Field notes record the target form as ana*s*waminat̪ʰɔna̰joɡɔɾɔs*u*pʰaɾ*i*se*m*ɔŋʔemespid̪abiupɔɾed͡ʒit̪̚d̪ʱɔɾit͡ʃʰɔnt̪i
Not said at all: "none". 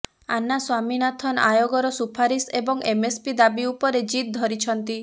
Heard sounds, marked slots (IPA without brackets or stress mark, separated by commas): s, u, i, b